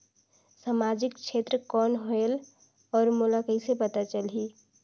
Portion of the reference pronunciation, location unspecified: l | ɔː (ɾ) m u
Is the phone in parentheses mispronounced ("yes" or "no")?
no